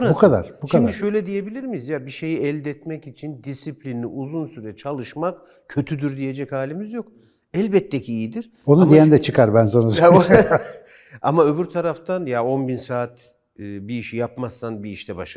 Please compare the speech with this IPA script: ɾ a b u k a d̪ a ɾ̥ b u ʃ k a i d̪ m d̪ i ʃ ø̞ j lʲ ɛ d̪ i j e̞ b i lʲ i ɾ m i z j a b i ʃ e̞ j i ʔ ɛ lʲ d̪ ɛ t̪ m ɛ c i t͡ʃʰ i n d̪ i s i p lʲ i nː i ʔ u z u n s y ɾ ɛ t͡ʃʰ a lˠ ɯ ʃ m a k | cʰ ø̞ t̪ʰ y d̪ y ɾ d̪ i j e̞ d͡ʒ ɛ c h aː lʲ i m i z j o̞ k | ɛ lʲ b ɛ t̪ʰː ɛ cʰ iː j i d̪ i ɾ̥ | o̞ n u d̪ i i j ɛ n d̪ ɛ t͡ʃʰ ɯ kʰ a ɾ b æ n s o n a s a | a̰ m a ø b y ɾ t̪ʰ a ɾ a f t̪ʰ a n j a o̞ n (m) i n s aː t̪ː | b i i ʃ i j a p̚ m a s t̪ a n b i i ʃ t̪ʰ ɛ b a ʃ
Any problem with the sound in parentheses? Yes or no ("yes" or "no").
yes